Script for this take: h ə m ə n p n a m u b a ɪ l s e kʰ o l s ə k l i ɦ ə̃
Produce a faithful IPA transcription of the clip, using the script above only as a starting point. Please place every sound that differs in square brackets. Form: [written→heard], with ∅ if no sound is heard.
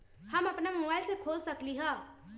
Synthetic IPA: h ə m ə [n→∅] p n a m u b a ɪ l s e kʰ o l s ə k l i ɦ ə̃